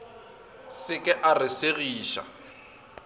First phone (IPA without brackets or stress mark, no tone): s